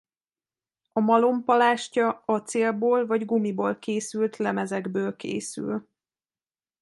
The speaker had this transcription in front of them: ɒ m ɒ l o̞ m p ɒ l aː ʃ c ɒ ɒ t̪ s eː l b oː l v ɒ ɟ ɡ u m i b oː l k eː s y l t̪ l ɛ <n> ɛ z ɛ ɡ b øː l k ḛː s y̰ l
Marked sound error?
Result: yes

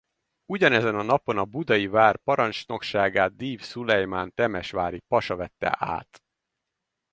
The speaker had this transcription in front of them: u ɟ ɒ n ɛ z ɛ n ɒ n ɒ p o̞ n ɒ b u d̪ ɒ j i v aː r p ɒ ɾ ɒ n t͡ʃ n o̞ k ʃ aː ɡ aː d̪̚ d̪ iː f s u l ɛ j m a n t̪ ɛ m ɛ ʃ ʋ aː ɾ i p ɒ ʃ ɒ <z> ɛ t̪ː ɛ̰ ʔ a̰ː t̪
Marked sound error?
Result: yes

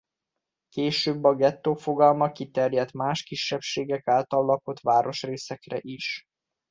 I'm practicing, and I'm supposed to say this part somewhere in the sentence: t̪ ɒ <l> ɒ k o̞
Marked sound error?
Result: yes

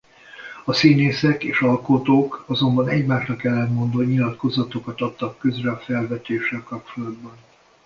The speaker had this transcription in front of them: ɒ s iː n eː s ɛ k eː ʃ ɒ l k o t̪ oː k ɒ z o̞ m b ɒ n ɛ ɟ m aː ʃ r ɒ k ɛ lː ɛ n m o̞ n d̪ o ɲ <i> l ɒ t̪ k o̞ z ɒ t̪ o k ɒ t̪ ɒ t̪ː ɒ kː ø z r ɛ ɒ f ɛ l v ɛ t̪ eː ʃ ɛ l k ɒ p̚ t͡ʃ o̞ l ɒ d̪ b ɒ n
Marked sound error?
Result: no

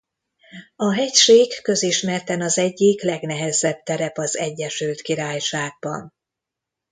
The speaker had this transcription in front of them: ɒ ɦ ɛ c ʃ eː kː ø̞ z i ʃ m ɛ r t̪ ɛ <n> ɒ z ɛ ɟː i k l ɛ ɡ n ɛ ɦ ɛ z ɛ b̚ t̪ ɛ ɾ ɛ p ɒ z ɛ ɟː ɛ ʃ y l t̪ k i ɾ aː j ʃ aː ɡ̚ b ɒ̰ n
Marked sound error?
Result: no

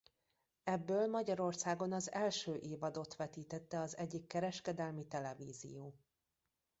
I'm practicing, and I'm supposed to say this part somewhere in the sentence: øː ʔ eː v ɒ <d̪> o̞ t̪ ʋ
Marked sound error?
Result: no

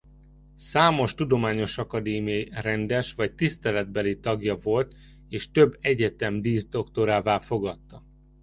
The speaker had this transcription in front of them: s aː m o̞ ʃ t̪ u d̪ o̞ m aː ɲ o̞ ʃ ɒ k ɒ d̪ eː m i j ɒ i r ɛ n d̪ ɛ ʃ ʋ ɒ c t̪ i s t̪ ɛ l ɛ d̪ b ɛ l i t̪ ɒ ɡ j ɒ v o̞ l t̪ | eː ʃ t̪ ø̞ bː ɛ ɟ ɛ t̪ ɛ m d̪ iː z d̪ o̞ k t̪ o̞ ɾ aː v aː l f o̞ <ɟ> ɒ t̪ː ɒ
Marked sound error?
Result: yes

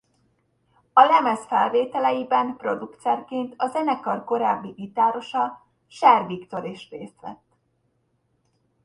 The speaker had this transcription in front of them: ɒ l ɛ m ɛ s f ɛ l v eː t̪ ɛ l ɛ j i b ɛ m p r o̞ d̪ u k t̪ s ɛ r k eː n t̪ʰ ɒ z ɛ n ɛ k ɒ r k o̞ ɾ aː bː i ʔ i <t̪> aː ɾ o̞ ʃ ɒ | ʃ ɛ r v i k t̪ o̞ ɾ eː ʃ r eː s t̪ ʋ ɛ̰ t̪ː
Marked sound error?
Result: no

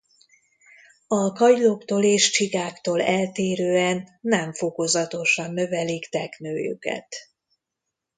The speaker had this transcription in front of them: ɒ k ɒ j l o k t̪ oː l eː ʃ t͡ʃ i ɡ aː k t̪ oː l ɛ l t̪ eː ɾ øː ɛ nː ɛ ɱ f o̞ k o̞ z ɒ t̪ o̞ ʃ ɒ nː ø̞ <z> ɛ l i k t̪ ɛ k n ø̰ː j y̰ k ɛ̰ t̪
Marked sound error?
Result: yes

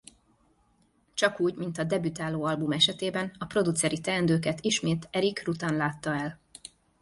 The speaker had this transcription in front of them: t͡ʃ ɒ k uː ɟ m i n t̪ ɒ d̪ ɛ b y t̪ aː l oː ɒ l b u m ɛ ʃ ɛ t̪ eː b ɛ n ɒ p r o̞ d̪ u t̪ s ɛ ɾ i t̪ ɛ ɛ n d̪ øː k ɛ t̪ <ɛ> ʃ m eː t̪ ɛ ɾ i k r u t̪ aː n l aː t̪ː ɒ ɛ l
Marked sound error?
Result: yes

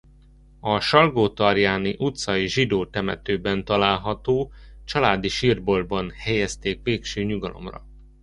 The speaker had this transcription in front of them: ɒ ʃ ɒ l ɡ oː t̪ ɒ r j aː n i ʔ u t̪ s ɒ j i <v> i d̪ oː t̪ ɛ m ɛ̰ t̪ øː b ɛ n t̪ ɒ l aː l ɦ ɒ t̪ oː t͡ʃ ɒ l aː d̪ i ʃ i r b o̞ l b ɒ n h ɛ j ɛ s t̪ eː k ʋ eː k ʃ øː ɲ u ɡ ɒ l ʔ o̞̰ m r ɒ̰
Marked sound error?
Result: yes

